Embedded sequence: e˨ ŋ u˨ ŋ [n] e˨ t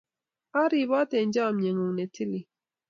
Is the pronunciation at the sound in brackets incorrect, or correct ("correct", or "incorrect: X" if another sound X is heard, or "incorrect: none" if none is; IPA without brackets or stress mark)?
correct